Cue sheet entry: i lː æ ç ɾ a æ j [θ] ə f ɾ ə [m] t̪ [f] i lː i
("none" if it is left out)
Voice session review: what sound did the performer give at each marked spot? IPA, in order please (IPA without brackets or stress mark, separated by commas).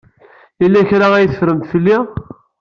θ, m, f